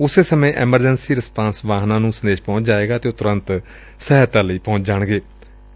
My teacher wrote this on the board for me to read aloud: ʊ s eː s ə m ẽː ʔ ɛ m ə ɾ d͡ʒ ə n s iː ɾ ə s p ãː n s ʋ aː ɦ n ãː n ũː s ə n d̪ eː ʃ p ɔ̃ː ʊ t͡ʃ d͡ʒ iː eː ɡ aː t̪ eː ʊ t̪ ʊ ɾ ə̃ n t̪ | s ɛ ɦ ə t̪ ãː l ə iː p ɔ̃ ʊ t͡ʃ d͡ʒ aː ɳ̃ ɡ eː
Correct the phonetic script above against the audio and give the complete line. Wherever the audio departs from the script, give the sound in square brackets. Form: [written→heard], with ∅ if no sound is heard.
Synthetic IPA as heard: ʊ s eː s ə m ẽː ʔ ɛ m ə ɾ d͡ʒ ə n s iː ɾ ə s p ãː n s ʋ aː ɦ n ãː n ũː s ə n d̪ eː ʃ p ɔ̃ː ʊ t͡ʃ d͡ʒ [iː→aː] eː ɡ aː t̪ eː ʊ t̪ ʊ ɾ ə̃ n t̪ | s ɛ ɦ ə t̪ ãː l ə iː p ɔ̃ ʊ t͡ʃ d͡ʒ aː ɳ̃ ɡ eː